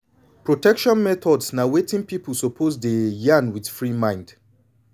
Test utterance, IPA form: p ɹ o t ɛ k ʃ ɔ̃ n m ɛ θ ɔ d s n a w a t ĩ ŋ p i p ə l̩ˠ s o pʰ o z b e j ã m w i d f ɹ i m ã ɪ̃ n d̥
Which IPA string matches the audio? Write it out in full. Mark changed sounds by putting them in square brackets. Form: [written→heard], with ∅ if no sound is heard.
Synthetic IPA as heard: p ɹ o t ɛ k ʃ ɔ̃ n m ɛ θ ɔ d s n a w [a→e] t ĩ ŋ p i p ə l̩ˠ s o pʰ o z [b→d] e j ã [m→n] w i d f ɹ i m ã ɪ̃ n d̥